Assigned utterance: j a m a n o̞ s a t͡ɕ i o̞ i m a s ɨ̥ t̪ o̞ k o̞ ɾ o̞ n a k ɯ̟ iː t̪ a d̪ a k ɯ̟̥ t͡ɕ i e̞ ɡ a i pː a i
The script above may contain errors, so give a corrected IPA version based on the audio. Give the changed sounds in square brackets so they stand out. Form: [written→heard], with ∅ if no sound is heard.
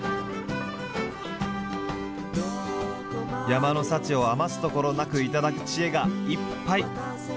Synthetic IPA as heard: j a m a n o̞ s a t͡ɕ i o̞ [i→a] m a s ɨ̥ t̪ o̞ k o̞ ɾ o̞ n a k ɯ̟ [iː→i] t̪ a d̪ a k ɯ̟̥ t͡ɕ i e̞ ɡ a i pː a i